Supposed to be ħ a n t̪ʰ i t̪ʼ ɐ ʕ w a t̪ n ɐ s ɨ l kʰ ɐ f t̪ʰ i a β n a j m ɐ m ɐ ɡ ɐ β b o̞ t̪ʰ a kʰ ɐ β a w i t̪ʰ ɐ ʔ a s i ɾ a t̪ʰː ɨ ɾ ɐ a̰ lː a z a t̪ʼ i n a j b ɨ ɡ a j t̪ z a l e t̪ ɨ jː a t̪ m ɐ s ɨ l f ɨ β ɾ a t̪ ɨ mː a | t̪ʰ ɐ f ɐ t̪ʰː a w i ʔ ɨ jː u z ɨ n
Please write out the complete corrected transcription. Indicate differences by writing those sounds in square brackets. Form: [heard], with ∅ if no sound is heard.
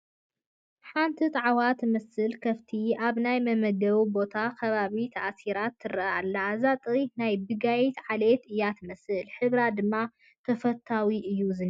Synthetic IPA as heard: ħ a n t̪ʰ i t̪ʼ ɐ ʕ w a t̪ [m] ɐ s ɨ l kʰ ɐ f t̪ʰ i a β n a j m ɐ m ɐ ɡ ɐ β b o̞ t̪ʰ a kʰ ɐ β a [β] i t̪ʰ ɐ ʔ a s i ɾ a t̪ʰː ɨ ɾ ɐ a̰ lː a z a t̪ʼ i n a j b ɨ ɡ a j t̪ [ʕ] a l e t̪ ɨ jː a t̪ m ɐ s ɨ l [ħ] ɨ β ɾ a [d̪] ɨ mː a | t̪ʰ ɐ f ɐ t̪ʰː a w i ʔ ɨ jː u z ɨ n